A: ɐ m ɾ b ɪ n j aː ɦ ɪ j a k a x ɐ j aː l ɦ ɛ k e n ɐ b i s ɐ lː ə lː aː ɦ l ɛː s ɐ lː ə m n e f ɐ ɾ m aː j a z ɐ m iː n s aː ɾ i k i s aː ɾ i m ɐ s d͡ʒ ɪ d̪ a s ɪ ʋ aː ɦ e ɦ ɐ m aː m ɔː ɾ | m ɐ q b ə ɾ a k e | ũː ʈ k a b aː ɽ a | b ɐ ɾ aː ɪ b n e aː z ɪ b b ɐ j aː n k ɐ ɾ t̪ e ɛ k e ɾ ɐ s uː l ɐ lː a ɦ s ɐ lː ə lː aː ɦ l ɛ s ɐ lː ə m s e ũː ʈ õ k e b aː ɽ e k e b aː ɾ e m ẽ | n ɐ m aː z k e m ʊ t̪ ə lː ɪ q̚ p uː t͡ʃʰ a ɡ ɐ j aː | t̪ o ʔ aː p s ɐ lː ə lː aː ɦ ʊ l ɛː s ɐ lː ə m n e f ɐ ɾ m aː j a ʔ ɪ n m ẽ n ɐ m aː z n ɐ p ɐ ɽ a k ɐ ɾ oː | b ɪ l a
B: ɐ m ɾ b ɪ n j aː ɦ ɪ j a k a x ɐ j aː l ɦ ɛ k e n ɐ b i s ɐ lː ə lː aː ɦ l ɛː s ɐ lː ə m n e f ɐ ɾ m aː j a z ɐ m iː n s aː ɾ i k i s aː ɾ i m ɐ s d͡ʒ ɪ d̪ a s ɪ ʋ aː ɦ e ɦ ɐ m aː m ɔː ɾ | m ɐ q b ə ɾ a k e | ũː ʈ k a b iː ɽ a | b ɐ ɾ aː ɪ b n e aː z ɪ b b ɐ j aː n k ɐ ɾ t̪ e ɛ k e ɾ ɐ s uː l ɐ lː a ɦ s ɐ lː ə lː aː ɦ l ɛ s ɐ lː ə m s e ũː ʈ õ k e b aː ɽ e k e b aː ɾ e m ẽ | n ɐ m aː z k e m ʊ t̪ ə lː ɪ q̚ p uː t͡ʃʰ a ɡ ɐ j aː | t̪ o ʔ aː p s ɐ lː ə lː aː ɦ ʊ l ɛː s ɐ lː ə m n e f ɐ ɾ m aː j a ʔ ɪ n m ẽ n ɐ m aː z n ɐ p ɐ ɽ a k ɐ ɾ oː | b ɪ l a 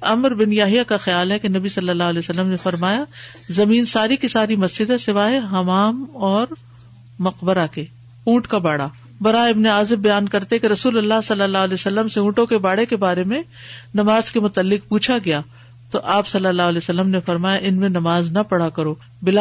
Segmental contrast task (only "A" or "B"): A